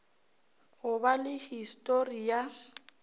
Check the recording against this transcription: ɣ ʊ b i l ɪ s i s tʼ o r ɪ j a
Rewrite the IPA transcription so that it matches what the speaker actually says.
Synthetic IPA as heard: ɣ ʊ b a l ɪ h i s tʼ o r i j a